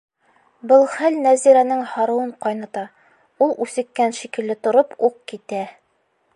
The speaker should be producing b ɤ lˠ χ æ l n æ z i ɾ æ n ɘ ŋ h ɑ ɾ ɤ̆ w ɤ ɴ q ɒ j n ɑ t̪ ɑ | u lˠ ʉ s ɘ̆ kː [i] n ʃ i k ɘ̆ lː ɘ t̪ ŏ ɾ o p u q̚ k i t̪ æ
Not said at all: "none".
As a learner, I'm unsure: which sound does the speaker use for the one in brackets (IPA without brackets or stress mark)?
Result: æ